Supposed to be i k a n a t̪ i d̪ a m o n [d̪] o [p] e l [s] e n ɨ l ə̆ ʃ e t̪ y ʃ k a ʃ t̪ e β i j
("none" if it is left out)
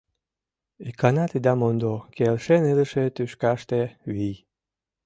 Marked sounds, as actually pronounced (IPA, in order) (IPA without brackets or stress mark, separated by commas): d̪, k, ʃ